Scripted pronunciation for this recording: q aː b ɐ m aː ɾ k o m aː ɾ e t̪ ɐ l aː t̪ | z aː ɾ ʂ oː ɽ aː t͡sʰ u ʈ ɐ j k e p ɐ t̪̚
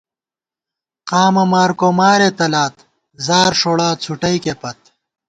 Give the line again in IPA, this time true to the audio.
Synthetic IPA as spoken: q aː m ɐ m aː ɾ k o m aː ɾ e t̪ ɐ l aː t̪ | z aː ɾ ʂ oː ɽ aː t͡sʰ u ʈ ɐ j k e p ɐ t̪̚